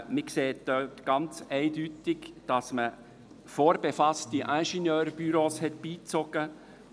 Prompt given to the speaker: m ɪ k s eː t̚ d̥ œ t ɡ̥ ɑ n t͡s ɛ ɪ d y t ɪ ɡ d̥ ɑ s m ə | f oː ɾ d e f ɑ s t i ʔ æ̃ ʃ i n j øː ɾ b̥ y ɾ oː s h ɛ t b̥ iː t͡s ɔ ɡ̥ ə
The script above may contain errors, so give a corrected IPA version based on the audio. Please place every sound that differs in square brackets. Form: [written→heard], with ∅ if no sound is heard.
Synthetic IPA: m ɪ k s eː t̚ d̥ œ t ɡ̥ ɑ n t͡s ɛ ɪ d y t ɪ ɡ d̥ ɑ s m ə | f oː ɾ [d→b] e f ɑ s t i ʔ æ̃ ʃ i n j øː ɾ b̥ y ɾ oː s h ɛ t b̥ iː t͡s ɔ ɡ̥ ə